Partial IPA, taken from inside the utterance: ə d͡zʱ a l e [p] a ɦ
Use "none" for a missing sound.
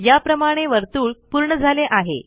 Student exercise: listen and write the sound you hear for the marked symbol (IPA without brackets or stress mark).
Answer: ʔ